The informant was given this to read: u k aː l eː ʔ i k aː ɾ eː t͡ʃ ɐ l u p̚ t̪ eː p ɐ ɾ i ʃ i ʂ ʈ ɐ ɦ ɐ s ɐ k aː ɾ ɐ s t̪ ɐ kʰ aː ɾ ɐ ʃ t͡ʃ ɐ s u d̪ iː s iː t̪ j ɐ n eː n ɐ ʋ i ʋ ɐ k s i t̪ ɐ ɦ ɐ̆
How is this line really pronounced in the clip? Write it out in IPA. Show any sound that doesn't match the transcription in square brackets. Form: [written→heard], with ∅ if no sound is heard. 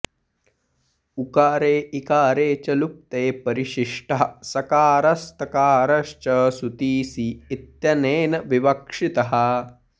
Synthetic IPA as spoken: u k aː [l→ɾ] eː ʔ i k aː ɾ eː t͡ʃ ɐ l u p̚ t̪ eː p ɐ ɾ i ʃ i ʂ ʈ ɐ ɦ ɐ s ɐ k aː ɾ ɐ s t̪ ɐ [kʰ→k] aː ɾ ɐ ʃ t͡ʃ ɐ s u [d̪→t̪] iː s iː t̪ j ɐ n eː n ɐ ʋ i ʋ ɐ k [s→ʂ] i t̪ ɐ ɦ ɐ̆

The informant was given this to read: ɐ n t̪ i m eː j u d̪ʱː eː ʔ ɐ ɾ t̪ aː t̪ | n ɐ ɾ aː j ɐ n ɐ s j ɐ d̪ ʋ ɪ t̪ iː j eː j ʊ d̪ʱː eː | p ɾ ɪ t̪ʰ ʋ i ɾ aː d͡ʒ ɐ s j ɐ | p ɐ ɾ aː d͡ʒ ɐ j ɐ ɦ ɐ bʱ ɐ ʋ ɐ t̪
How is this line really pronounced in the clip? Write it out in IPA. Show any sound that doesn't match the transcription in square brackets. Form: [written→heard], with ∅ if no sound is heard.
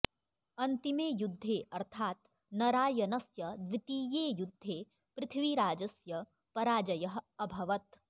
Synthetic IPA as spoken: ɐ n t̪ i m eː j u d̪ʱː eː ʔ ɐ ɾ [t̪→t̪ʰ] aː t̪ | n ɐ ɾ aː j ɐ n ɐ s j ɐ d̪ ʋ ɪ t̪ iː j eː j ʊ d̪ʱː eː | p ɾ ɪ t̪ʰ ʋ i ɾ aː d͡ʒ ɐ s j ɐ | p ɐ ɾ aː d͡ʒ ɐ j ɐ ɦ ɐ bʱ ɐ ʋ ɐ t̪

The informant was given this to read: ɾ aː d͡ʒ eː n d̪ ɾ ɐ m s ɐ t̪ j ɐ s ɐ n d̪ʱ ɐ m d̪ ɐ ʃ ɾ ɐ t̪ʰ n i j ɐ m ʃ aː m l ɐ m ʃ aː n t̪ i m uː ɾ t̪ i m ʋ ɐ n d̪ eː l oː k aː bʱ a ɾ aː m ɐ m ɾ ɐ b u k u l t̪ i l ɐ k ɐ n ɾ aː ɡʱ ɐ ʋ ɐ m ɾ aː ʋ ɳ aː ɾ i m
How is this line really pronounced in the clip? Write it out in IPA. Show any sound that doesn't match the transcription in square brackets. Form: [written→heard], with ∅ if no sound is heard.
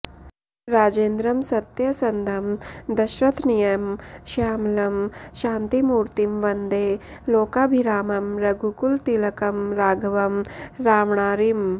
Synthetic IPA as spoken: ɾ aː d͡ʒ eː n d̪ ɾ ɐ m s ɐ t̪ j ɐ s ɐ n d̪ʱ ɐ m d̪ ɐ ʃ ɾ ɐ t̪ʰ n i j ɐ m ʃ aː m l ɐ m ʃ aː n t̪ i m uː ɾ t̪ i m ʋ ɐ n d̪ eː l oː k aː bʱ [a→i] ɾ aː m ɐ m ɾ ɐ [b→ɡ] u k u l t̪ i l ɐ k ɐ [n→m] ɾ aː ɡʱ ɐ ʋ ɐ m ɾ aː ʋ ɳ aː ɾ i m

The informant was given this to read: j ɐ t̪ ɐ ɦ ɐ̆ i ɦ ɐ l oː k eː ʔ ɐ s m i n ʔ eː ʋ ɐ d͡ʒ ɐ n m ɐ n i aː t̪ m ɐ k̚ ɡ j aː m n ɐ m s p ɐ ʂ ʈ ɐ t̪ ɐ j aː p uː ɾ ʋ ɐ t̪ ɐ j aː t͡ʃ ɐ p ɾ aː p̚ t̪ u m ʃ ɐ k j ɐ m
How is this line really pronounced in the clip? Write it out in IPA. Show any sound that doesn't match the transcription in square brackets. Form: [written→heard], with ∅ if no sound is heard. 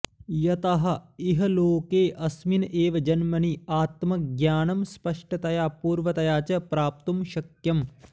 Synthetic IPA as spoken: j ɐ t̪ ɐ ɦ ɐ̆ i ɦ ɐ l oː k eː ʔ ɐ s m i n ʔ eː ʋ ɐ d͡ʒ ɐ n m ɐ n i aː t̪ m ɐ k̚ ɡ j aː [m→∅] n ɐ m s p ɐ ʂ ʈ ɐ t̪ ɐ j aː p uː ɾ ʋ ɐ t̪ ɐ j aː t͡ʃ ɐ p ɾ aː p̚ t̪ u m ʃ ɐ k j ɐ m

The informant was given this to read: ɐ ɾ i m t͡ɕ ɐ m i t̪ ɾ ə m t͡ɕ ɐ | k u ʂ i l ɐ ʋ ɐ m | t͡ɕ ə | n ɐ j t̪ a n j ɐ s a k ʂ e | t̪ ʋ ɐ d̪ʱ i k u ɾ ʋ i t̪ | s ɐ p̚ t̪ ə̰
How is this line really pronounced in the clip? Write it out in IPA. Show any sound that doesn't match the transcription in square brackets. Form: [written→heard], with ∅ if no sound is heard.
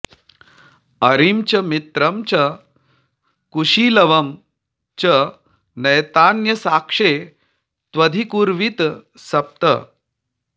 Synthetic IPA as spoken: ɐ ɾ i m t͡ɕ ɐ m i t̪ ɾ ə m t͡ɕ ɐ | k u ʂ i l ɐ ʋ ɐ m | t͡ɕ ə | n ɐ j t̪ a n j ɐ s a k ʂ e | t̪ ʋ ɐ d̪ʱ i k u ɾ ʋ i t̪ | s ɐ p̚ t̪ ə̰

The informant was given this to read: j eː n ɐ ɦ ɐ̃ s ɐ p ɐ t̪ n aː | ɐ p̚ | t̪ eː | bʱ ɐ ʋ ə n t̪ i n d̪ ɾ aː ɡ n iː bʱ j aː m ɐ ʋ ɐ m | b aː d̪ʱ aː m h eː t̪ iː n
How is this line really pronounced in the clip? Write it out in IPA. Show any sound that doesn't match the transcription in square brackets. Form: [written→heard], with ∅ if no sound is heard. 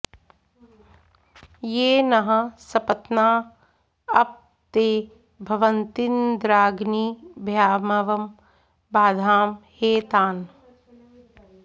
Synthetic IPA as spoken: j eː n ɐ ɦ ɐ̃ s ɐ p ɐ t̪ n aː | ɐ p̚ | t̪ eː | bʱ ɐ ʋ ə n t̪ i n d̪ ɾ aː ɡ n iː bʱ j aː m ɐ ʋ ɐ m | b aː d̪ʱ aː m h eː t̪ [iː→aː] n

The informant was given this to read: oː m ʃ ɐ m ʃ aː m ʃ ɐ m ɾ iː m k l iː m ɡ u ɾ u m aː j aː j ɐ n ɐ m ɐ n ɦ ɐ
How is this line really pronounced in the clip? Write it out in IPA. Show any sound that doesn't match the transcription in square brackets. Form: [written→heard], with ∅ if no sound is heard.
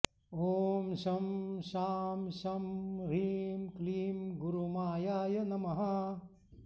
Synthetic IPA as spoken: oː m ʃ ɐ m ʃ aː m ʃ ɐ m ɾ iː m k l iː m ɡ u ɾ u m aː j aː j ɐ n ɐ m ɐ [n→∅] ɦ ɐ

